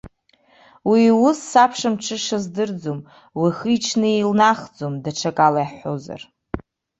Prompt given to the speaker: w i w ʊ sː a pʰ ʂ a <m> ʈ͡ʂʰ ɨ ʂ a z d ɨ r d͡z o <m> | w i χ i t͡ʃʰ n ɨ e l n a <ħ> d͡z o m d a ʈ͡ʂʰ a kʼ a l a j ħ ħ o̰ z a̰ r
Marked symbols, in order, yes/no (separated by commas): yes, yes, no